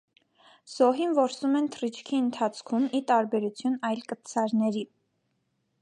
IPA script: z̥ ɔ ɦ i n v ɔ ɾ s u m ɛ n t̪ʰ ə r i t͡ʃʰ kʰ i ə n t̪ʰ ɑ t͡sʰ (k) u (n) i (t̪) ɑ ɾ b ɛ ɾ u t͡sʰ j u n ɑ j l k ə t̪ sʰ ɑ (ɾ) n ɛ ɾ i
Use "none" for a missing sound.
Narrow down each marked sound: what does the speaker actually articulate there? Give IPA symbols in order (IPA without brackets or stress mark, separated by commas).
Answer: kʰ, m, t̪, ɾ